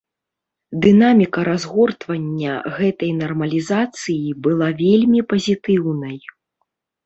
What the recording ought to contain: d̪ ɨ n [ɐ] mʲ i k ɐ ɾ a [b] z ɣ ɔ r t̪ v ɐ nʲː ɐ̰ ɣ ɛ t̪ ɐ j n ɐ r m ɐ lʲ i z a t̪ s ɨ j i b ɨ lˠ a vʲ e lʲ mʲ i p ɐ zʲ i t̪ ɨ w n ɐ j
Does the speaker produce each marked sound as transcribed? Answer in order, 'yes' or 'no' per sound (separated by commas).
no, no